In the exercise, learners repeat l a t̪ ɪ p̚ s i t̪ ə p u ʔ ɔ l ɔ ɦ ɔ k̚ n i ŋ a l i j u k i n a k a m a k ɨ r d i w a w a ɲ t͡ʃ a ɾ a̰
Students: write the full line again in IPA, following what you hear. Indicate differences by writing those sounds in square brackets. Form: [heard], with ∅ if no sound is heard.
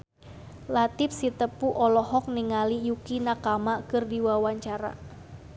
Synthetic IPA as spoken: l a t̪ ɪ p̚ s i t̪ ə p u ʔ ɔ l ɔ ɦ ɔ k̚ n i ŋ a l i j u k i n a k a m a k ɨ r d i w a w a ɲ t͡ʃ a ɾ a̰